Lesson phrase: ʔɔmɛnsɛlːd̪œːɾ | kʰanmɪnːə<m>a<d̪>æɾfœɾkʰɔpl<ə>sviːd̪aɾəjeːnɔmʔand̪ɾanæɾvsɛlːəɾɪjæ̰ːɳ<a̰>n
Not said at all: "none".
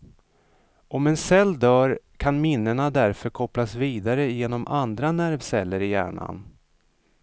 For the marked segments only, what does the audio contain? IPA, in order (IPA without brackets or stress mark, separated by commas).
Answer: ɳ, d̪, a, a̰